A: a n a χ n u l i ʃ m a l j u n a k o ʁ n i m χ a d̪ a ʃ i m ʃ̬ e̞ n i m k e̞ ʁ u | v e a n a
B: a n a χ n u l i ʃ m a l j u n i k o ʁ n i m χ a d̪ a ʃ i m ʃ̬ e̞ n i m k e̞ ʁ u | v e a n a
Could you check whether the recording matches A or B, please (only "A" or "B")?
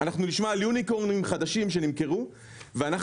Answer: B